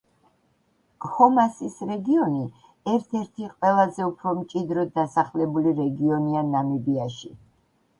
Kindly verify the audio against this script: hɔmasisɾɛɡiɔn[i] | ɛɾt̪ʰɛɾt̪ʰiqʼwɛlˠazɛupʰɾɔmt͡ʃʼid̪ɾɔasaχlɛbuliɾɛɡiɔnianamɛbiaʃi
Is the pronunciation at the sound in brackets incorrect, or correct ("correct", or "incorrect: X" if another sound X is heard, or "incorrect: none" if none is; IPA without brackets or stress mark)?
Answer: correct